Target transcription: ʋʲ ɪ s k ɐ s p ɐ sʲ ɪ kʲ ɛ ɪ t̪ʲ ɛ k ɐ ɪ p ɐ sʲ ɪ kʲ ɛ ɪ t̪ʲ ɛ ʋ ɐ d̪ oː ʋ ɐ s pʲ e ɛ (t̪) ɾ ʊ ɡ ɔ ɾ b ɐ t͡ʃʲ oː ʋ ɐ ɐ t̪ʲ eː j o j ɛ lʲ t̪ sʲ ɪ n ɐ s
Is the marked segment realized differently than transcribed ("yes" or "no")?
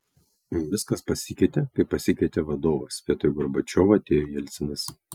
no